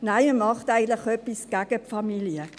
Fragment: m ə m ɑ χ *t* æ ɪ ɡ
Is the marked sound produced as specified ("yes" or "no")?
yes